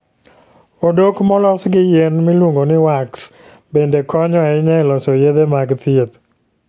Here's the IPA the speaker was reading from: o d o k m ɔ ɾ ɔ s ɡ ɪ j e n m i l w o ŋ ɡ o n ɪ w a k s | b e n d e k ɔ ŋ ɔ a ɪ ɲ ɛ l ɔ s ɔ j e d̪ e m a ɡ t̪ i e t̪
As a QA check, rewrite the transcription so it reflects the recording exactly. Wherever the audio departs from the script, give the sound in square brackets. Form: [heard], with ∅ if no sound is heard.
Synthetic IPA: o d o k m ɔ [l] ɔ s ɡ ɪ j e n m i l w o ŋ ɡ o n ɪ w a k s | b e n d e k ɔ [ɲ] ɔ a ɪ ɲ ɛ l ɔ s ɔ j e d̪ e m a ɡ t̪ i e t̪